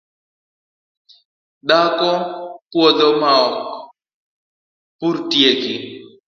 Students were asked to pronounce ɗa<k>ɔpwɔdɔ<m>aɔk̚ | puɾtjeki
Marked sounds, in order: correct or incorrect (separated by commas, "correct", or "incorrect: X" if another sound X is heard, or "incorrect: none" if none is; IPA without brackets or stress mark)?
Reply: correct, correct